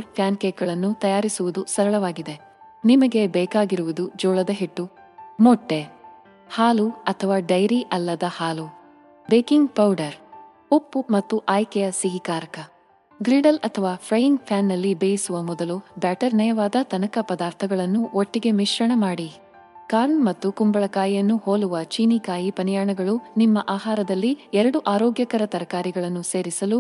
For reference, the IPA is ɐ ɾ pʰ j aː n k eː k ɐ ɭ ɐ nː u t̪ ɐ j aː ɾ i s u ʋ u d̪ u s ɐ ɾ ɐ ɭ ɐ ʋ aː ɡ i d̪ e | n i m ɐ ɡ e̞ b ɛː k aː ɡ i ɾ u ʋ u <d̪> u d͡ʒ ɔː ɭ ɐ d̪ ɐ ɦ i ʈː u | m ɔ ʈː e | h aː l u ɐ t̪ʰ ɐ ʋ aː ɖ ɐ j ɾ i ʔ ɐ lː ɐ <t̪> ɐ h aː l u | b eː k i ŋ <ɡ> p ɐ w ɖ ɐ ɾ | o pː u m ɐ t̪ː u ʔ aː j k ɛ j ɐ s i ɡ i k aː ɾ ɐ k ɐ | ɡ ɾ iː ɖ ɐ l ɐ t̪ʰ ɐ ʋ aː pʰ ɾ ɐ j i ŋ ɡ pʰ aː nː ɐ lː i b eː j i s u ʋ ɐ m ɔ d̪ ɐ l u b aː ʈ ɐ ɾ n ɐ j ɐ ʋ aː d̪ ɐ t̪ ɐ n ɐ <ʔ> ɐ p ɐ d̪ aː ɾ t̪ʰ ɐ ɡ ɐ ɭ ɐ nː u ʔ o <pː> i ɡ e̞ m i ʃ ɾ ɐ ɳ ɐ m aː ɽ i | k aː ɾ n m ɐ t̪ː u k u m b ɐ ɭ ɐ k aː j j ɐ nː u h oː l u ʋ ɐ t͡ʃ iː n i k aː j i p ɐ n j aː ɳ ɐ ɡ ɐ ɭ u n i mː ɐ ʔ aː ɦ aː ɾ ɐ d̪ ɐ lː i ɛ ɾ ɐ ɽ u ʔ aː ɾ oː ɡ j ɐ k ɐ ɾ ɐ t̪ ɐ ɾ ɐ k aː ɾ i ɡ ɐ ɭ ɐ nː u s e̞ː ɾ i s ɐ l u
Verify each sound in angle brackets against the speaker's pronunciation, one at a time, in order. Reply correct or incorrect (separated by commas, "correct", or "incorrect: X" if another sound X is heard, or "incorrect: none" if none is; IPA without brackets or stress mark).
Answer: correct, incorrect: d̪, correct, incorrect: k, incorrect: ʈː